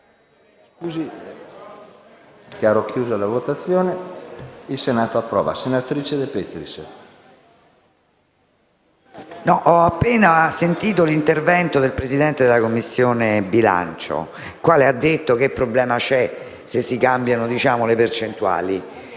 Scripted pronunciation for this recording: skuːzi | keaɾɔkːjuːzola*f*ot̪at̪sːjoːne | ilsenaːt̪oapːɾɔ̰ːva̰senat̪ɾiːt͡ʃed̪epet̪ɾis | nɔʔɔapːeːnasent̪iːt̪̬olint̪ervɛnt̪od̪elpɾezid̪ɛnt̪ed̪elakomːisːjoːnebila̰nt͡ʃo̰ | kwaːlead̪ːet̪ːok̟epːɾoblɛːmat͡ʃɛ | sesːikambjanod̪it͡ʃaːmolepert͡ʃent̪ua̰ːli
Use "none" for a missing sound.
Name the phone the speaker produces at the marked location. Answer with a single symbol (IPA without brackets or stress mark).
v